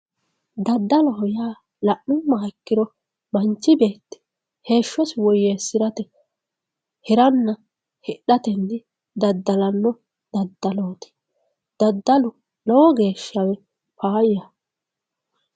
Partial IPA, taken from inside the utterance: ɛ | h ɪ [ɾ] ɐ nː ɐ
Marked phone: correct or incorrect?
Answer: correct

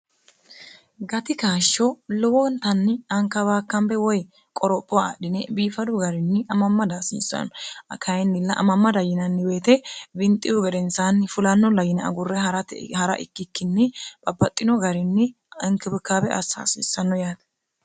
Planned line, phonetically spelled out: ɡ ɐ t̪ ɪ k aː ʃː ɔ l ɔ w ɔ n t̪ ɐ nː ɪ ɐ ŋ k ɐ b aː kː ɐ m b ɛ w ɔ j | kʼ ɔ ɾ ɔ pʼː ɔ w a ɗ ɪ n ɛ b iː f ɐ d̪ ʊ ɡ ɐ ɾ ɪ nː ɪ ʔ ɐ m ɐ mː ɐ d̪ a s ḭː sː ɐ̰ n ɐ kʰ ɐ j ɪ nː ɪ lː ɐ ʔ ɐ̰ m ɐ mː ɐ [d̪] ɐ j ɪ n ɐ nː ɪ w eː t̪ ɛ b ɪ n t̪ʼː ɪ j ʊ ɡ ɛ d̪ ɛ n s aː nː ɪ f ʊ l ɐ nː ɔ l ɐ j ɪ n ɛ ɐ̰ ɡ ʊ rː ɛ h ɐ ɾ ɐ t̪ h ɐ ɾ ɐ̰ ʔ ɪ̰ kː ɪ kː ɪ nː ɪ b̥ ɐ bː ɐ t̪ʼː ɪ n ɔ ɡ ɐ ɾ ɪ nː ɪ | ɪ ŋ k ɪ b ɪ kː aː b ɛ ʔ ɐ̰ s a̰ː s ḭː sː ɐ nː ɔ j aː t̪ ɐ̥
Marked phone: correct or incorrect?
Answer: correct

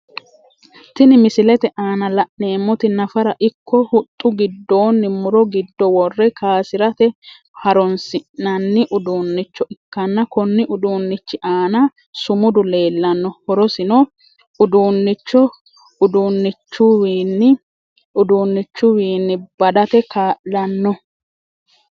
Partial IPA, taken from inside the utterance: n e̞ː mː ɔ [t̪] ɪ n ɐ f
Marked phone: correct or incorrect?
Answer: correct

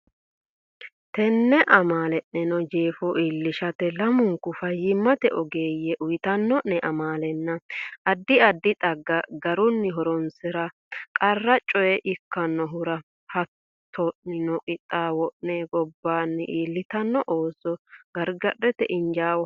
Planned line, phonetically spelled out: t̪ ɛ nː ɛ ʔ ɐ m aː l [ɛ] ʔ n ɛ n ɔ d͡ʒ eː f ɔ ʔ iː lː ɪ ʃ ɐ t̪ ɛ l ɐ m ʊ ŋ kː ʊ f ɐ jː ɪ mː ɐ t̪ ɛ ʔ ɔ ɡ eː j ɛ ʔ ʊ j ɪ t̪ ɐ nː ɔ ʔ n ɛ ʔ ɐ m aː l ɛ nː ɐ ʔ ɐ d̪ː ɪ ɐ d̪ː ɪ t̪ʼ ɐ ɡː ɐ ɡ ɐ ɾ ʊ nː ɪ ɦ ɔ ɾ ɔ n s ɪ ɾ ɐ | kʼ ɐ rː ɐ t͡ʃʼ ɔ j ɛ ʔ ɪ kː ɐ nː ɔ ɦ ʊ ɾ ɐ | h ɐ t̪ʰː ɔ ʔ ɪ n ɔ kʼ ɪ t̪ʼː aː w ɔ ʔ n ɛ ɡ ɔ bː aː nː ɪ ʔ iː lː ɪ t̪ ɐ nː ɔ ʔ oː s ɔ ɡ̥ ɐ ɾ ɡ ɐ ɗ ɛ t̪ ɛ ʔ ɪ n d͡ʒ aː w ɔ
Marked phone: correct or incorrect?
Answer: correct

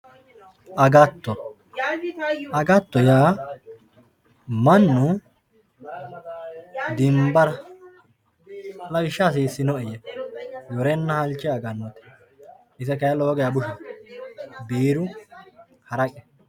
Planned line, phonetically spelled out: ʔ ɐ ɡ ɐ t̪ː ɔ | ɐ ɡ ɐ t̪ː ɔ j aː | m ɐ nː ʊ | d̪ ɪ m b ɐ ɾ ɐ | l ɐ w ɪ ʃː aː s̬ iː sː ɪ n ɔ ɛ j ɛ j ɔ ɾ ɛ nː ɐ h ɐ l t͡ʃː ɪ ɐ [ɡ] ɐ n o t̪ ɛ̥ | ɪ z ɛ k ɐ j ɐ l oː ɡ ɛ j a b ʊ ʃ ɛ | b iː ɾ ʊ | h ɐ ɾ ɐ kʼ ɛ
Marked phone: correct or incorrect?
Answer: correct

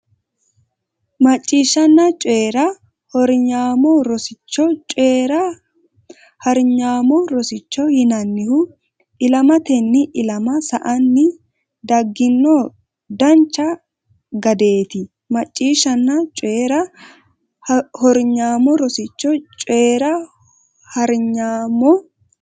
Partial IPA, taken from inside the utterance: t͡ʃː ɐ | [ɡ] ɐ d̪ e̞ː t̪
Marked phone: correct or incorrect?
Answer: correct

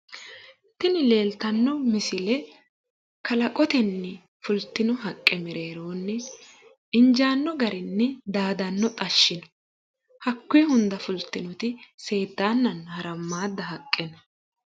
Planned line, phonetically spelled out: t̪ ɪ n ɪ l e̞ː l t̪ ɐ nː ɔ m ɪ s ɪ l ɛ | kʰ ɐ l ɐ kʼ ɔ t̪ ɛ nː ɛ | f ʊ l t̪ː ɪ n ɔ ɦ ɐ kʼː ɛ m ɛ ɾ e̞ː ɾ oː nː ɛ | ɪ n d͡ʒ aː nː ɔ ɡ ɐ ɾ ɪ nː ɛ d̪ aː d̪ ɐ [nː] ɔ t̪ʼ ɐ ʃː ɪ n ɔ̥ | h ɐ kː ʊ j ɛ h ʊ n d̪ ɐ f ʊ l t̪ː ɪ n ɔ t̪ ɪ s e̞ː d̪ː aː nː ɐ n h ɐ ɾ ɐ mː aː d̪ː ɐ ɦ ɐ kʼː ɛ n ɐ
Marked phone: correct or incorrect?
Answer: correct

